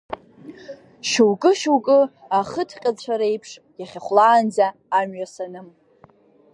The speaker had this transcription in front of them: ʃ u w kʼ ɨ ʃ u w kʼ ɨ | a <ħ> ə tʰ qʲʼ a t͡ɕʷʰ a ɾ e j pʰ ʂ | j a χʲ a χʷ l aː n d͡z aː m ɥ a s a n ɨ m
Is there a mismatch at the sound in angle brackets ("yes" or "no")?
yes